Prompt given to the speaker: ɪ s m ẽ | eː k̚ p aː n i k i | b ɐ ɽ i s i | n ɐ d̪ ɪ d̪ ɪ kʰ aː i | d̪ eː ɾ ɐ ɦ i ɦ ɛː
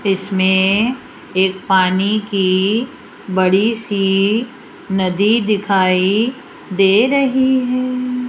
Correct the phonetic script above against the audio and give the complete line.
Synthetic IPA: ɪ s m ẽ | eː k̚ p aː n i k i | b ɐ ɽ i s i | n ɐ d̪ i d̪ ɪ kʰ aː i | d̪ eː ɾ ɐ ɦ i ɦ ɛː